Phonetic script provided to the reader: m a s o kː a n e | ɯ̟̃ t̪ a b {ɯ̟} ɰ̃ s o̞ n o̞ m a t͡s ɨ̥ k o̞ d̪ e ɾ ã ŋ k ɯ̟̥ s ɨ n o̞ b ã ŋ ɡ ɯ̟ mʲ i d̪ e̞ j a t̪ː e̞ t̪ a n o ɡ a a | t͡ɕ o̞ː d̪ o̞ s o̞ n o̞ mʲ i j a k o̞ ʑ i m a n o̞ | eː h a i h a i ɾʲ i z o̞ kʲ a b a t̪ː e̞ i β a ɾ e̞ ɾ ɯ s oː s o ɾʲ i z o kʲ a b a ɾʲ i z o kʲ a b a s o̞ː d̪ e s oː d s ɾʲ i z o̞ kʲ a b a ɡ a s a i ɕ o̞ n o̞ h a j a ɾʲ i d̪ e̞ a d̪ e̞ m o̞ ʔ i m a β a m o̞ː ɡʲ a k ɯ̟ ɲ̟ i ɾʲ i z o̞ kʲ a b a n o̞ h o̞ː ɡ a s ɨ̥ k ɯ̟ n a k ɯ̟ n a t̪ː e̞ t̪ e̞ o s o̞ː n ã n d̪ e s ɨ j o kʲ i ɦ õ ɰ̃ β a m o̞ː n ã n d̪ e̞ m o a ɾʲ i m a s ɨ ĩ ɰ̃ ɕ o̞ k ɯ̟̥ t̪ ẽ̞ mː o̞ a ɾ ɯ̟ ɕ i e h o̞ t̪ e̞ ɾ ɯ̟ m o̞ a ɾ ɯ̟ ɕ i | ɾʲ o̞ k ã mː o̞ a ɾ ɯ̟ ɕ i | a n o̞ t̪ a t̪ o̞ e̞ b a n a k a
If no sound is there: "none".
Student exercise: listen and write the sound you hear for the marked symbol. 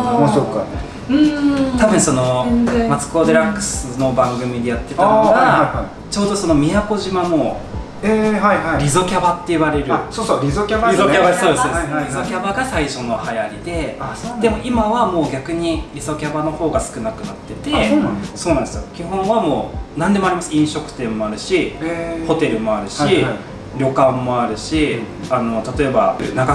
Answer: ɯ̟̃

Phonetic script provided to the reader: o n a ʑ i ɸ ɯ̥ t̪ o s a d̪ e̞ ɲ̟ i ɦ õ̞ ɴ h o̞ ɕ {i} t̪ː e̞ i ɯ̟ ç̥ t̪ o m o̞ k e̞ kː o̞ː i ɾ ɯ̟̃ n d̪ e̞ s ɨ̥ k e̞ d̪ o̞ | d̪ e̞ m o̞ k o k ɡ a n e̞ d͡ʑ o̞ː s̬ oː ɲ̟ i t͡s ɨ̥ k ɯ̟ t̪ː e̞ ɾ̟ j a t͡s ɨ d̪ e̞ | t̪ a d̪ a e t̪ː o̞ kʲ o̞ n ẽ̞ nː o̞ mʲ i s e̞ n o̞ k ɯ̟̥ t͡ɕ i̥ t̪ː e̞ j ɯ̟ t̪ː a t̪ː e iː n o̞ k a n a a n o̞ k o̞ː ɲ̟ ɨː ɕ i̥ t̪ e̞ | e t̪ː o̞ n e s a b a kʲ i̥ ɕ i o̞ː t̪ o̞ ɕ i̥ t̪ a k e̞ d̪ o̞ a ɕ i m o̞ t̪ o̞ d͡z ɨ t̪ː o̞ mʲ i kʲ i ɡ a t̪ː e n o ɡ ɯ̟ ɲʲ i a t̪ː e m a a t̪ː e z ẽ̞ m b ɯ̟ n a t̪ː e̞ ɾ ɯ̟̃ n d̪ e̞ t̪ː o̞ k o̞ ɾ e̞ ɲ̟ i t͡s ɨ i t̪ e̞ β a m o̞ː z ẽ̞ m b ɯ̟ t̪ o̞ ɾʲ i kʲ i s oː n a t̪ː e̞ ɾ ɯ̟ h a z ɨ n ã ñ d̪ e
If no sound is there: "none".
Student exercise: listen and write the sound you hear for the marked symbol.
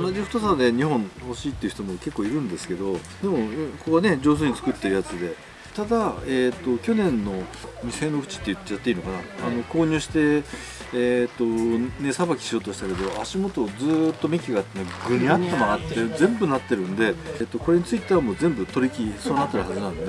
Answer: iː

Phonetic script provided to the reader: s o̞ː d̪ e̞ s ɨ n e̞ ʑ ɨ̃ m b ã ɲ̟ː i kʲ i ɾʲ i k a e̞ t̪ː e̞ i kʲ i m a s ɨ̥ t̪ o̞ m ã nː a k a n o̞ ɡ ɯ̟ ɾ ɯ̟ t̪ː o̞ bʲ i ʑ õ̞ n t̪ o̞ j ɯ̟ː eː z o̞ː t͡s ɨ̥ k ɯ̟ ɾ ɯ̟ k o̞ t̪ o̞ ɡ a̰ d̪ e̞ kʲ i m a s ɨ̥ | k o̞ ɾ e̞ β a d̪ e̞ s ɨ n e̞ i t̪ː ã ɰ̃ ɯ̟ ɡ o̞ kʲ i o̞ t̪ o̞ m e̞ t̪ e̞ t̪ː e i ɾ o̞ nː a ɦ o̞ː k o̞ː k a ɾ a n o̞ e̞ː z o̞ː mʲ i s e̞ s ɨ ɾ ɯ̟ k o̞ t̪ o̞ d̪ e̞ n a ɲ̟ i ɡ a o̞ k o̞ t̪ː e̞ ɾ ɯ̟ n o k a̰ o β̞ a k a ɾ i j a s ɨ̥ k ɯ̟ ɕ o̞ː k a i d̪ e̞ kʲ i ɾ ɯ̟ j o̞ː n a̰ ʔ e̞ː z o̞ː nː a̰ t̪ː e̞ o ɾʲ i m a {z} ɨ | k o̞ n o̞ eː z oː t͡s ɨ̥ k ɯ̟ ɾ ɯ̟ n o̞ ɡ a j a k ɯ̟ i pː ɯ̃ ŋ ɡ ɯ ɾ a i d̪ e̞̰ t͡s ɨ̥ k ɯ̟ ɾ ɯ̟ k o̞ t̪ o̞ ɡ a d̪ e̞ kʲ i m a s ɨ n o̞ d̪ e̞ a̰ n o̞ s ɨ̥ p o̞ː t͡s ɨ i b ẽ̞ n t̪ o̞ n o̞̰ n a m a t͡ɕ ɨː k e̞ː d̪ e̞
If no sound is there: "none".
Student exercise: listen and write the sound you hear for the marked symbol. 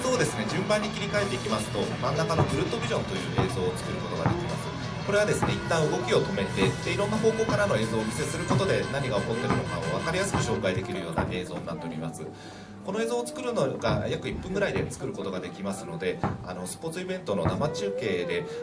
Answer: s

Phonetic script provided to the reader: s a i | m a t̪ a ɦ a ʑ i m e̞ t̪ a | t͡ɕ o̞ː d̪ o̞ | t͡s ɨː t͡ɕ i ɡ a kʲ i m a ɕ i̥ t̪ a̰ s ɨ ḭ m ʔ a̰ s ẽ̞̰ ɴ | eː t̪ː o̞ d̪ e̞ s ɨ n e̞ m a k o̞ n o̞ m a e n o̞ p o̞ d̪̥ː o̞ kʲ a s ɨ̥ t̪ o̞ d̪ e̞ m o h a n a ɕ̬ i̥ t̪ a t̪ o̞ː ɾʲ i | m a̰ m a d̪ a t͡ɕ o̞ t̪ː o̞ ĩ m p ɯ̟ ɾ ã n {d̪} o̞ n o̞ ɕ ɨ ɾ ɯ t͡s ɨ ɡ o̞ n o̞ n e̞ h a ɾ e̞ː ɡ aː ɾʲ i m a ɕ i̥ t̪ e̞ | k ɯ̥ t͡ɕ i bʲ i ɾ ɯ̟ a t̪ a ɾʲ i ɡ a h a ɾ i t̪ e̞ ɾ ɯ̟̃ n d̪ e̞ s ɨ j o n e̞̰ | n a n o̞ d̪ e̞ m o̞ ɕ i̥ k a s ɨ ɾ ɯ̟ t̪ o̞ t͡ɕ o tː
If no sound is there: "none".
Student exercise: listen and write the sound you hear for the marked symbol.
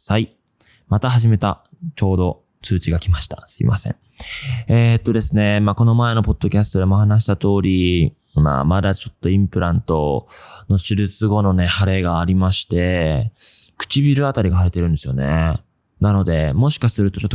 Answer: t̪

